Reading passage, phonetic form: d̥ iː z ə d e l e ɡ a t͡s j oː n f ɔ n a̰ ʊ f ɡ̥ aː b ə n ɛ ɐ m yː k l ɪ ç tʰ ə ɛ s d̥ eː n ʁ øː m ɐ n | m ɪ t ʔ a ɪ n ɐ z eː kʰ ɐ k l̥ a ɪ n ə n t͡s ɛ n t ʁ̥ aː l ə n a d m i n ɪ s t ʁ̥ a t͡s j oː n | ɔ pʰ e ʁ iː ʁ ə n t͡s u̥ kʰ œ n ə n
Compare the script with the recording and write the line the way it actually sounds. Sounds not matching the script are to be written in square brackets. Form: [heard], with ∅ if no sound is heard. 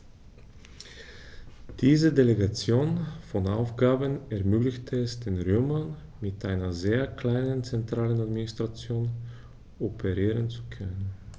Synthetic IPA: d̥ iː z ə d e l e ɡ a t͡s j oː n f ɔ n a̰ ʊ f ɡ̥ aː b ə n ɛ ɐ m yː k l ɪ ç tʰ ə ɛ s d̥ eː n ʁ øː m ɐ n | m ɪ t ʔ a ɪ n ɐ z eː [∅] ɐ k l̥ a ɪ n ə n t͡s ɛ n t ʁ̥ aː l ə n a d m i n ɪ s t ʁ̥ a t͡s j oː n | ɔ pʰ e ʁ iː ʁ ə n t͡s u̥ kʰ œ n ə n